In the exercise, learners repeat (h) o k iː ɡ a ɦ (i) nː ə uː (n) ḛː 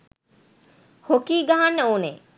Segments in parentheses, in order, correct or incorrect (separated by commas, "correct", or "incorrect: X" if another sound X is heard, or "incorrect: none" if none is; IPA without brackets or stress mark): correct, incorrect: a, correct